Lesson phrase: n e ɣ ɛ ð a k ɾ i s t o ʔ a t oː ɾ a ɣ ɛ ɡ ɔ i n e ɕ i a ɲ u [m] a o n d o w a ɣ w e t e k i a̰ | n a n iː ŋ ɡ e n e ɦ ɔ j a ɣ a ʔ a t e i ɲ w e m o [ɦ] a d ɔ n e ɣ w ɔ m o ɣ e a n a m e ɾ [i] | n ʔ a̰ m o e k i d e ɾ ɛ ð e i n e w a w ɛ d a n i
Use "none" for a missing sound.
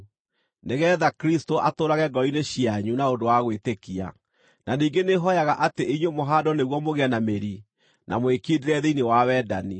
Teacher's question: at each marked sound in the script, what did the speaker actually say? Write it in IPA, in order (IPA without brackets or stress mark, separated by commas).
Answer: n, ɦ, i